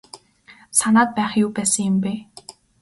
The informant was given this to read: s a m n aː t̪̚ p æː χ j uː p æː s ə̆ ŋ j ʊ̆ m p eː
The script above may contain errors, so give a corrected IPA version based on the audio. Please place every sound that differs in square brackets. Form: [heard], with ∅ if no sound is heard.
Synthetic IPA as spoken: s a [∅] n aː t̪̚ p æː χ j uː p æː s ə̆ ŋ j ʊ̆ m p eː